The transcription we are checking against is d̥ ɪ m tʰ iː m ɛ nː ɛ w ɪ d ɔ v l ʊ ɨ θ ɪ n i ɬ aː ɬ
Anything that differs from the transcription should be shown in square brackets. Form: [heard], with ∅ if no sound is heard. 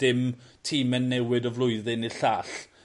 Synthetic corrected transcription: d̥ ɪ m tʰ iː m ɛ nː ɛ w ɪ d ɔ v l ʊ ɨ [ð] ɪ n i ɬ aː ɬ